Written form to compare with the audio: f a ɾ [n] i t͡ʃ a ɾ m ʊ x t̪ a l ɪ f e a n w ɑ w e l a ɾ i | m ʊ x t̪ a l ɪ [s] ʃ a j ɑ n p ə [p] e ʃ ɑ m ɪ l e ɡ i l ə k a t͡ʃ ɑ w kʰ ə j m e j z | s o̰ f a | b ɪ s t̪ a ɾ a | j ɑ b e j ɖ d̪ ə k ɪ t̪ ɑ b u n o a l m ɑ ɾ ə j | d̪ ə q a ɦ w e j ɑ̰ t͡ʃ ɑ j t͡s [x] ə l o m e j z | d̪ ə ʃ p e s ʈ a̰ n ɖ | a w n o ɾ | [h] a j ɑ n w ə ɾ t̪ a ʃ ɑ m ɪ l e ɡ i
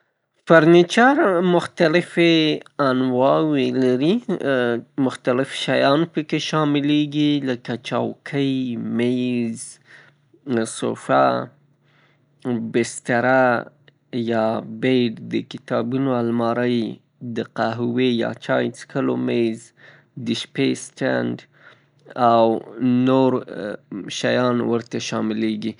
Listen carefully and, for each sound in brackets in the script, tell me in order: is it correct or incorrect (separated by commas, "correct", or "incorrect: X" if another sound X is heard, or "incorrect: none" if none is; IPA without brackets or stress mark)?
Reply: correct, incorrect: f, incorrect: k, incorrect: k, incorrect: ʃ